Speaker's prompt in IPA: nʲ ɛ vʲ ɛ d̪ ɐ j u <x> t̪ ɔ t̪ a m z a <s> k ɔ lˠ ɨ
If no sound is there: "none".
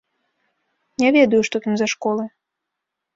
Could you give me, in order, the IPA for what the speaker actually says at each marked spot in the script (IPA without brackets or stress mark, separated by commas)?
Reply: ʂ, ʂ